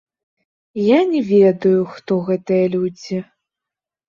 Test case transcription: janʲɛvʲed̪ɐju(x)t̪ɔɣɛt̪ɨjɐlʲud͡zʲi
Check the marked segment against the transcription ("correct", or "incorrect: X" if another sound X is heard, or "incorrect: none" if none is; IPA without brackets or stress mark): correct